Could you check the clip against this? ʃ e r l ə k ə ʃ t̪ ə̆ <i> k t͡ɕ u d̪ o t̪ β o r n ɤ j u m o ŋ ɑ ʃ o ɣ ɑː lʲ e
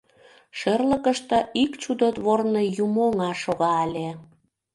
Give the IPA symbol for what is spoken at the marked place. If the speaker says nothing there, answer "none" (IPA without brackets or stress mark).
i